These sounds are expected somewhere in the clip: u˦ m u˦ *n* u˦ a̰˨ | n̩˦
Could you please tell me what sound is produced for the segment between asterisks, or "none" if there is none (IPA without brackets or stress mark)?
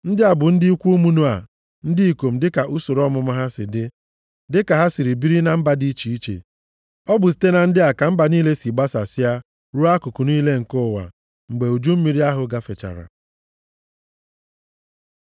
n